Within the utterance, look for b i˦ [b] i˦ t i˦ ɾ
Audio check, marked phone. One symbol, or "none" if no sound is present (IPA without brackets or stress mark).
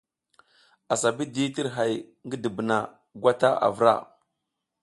d